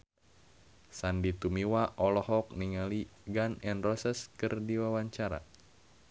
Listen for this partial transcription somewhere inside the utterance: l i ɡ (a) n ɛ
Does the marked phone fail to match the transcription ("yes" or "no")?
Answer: no